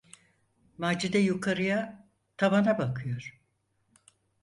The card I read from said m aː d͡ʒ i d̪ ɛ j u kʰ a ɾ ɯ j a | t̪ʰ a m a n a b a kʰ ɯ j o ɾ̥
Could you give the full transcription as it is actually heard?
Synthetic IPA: m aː d͡ʒ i d̪ ɛ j u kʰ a ɾ ɯ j a | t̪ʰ a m a n a b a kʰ ɯ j o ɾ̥